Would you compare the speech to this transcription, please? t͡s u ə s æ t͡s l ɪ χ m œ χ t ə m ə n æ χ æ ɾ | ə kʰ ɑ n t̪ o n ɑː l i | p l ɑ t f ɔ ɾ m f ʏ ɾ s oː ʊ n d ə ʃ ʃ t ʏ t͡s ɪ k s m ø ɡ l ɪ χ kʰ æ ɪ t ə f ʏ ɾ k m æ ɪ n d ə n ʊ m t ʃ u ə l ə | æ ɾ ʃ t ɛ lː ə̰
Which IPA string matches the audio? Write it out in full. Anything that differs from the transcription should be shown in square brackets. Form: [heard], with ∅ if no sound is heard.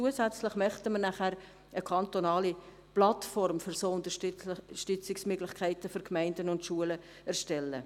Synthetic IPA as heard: t͡s u ə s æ t͡s l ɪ χ m œ χ t ə m ə n æ χ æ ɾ | ə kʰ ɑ n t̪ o n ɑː l i | p l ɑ t f ɔ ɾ m f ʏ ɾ s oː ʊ n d ə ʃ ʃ t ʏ t͡s ɪ k s m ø ɡ l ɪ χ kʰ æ ɪ t ə f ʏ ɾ k m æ ɪ n d ə n ʊ [n] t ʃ u ə l ə | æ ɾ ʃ t ɛ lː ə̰